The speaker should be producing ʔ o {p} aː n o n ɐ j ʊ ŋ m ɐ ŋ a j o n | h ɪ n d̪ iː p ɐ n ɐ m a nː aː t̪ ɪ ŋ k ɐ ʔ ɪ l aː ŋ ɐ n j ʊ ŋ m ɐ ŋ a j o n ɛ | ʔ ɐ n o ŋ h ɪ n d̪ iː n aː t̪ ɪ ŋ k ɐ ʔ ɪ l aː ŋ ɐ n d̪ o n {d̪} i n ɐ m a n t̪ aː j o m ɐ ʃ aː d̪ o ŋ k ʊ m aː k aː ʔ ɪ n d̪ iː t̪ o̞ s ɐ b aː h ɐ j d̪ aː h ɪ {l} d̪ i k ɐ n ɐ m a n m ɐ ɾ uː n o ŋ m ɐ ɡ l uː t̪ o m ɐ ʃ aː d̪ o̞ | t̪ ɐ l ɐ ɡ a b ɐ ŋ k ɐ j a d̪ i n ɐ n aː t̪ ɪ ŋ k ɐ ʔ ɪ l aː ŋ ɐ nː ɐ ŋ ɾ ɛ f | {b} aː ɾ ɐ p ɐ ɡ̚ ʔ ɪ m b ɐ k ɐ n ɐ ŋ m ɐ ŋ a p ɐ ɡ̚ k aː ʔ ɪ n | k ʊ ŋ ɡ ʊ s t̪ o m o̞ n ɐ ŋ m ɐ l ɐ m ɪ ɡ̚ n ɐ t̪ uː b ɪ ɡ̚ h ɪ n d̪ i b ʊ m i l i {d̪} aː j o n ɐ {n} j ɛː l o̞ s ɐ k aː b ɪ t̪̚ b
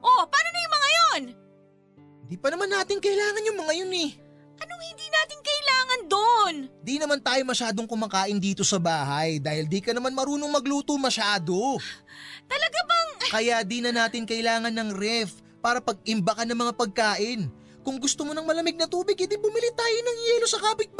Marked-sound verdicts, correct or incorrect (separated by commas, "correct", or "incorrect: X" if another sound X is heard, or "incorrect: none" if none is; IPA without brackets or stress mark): correct, correct, correct, incorrect: p, incorrect: t̪, incorrect: ŋ